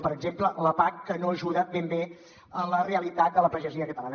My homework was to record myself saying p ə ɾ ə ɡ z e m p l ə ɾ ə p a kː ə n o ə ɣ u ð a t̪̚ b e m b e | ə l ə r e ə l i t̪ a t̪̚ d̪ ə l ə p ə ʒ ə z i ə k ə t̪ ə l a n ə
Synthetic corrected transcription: p ə ɾ ə ɡ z e m p l ə l ə p a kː ə n o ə ʒ u ð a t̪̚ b e m b e | ə l ə r e ə l i t̪ a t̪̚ d̪ ə l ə p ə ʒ ə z i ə k ə t̪ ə l a n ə